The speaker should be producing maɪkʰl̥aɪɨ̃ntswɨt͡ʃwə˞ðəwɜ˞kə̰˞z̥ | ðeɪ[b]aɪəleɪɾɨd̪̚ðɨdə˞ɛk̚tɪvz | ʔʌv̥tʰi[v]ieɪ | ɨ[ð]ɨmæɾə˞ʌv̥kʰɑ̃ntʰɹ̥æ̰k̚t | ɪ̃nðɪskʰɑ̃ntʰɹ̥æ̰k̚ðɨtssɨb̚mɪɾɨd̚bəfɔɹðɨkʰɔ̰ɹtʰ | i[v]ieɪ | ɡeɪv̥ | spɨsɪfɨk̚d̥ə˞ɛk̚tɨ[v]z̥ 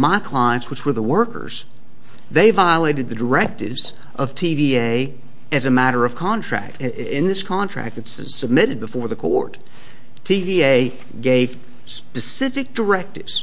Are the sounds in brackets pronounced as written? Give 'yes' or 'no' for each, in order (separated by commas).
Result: no, yes, no, yes, yes